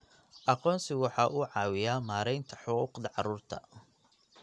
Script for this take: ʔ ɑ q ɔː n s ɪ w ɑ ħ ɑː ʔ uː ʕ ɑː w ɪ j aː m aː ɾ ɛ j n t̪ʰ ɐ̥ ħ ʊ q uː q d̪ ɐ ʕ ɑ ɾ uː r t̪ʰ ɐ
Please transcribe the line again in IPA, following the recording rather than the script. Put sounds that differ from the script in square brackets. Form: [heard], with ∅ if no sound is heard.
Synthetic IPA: ʔ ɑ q ɔː n s ɪ w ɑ ħ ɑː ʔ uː ʕ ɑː w ɪ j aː m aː ɾ ɛ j n t̪ʰ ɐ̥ ħ ʊ q uː q d̪ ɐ ʕ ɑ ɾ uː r t̪ʰ ɐ